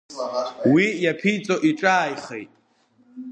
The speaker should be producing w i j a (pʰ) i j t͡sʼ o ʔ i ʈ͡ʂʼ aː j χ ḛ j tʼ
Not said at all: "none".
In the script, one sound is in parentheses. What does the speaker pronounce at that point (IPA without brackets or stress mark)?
pʰ